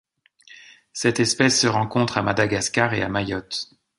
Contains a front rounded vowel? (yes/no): no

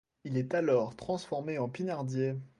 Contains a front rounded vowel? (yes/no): no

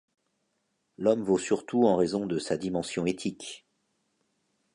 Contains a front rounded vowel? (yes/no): yes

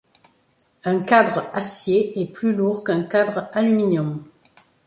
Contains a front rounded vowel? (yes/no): yes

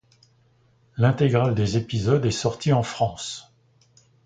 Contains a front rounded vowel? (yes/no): no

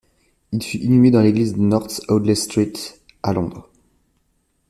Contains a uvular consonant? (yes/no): yes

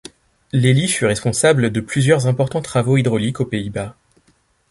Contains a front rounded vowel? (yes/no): yes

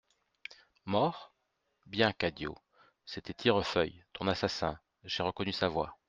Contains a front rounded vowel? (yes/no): yes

